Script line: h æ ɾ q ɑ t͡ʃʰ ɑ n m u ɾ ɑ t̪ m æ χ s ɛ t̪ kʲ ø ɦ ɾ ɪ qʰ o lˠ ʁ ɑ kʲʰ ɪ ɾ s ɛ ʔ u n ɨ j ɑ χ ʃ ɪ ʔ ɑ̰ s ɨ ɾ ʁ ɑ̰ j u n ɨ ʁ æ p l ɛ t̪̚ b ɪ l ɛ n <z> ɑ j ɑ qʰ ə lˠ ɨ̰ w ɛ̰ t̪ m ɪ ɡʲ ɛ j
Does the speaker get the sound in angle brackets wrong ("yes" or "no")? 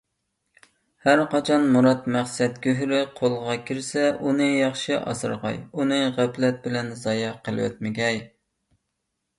no